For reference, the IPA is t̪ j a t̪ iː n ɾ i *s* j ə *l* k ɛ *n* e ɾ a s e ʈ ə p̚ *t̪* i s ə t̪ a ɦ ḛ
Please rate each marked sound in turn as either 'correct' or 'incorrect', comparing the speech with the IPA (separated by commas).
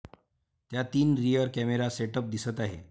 incorrect, incorrect, incorrect, incorrect